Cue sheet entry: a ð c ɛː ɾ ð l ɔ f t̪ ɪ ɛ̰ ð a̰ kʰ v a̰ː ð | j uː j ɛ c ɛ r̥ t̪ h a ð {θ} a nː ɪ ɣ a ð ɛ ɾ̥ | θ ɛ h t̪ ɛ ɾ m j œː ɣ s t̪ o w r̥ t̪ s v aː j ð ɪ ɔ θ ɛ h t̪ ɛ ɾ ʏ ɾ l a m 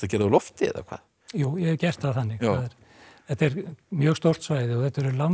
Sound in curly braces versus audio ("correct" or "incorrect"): correct